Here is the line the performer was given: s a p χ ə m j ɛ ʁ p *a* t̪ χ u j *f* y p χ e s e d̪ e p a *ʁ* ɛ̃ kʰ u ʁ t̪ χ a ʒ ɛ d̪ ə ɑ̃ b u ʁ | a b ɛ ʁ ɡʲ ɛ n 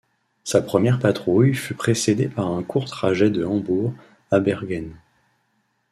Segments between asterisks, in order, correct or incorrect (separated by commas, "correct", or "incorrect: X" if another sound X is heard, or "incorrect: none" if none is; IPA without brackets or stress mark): correct, correct, correct